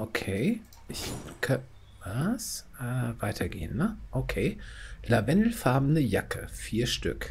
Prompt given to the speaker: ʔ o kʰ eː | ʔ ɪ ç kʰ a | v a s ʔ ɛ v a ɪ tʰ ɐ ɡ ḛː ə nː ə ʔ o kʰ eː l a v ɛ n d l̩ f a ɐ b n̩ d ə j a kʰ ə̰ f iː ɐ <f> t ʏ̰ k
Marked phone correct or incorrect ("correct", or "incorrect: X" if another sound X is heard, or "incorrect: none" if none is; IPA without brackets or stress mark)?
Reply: incorrect: ʃ